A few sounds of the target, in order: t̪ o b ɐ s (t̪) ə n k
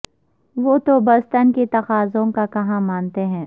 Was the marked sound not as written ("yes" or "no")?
no